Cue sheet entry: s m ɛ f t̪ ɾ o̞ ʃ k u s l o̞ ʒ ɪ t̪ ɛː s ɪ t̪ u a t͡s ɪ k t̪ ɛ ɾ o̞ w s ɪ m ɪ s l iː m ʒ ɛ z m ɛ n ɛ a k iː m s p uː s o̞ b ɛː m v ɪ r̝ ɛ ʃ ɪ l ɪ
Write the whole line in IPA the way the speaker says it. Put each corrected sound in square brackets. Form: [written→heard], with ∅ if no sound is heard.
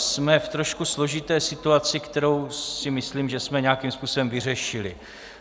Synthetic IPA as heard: s m ɛ f t̪ ɾ o̞ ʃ k u s l o̞ ʒ ɪ t̪ ɛː s ɪ t̪ u a t͡s ɪ k t̪ ɛ ɾ o̞ w s ɪ m ɪ s l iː m ʒ ɛ [z→s] m ɛ [n→ɲ] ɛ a k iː m s p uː s o̞ b [ɛː→ɛ] m v ɪ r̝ ɛ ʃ ɪ l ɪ